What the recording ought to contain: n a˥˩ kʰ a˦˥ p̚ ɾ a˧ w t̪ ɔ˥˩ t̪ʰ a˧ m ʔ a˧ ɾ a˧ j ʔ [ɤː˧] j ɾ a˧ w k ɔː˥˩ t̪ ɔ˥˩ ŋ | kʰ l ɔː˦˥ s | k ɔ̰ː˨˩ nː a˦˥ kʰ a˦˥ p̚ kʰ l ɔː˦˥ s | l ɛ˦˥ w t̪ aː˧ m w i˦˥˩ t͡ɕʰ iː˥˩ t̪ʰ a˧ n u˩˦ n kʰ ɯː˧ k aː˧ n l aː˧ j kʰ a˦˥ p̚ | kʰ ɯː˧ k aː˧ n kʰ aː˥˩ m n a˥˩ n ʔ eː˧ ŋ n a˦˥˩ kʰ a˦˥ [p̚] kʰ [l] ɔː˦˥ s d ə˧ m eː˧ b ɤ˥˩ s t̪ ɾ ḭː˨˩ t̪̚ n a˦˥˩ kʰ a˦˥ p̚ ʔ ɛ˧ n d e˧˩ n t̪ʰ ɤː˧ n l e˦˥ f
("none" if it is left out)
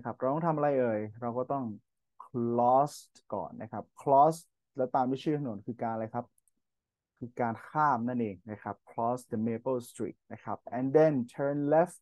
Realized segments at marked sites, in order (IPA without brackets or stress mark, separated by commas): ɤː˧, p̚, l